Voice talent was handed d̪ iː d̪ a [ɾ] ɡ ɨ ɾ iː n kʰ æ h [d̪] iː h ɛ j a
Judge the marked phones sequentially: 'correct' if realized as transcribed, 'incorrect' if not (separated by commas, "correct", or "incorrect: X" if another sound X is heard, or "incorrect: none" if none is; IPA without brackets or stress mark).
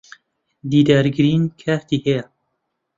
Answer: correct, incorrect: t̪